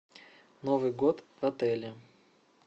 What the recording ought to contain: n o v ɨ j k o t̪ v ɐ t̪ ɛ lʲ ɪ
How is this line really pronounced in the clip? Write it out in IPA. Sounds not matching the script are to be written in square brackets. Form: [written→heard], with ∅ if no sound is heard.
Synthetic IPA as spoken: n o v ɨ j [k→ɡ] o t̪ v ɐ t̪ ɛ lʲ ɪ